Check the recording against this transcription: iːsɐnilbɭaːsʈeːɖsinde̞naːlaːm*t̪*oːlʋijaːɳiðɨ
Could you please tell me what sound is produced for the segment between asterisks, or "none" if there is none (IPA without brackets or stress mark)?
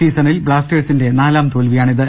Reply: t̪